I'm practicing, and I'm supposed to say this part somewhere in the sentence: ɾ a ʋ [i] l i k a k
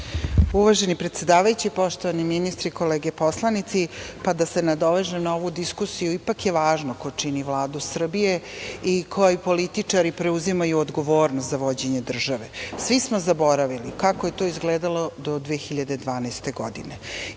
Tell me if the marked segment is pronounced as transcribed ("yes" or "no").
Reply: yes